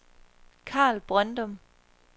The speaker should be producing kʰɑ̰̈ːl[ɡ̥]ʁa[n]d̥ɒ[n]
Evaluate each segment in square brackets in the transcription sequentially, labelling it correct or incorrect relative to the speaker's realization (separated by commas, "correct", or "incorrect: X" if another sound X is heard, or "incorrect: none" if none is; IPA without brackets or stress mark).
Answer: incorrect: b̥, correct, incorrect: m